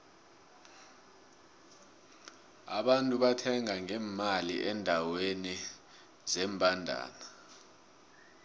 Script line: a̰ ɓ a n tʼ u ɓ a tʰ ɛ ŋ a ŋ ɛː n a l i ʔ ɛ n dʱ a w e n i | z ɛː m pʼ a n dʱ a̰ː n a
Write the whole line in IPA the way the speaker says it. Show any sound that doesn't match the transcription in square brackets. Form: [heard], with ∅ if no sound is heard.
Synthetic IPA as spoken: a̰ ɓ a n tʼ u ɓ a tʰ ɛ ŋ a ŋ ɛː [m] a l i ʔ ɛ n dʱ a w e n i | z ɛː m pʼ a n dʱ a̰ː n a